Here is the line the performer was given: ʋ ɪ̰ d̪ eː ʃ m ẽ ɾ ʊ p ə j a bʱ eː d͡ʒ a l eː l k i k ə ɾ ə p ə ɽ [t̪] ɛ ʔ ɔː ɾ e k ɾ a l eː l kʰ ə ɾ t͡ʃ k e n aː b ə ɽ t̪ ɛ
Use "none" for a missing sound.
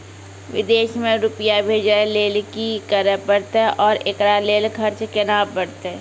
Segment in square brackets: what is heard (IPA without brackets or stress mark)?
t̪